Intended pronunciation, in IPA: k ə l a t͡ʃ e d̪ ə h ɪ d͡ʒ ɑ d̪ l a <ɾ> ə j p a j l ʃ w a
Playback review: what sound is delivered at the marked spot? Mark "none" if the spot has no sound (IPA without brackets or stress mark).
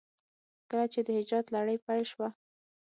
ɽ